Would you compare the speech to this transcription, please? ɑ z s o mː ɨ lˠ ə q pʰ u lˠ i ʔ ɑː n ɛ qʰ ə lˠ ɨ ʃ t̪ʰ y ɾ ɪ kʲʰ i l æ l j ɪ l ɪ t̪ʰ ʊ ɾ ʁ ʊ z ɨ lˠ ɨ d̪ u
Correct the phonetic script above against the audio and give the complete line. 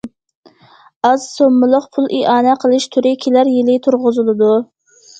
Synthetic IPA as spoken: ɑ z s o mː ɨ lˠ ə q pʰ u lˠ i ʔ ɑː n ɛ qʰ ə lˠ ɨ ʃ t̪ʰ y ɾ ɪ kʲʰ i l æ ɾ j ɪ l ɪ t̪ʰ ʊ ɾ ʁ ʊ z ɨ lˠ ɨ d̪ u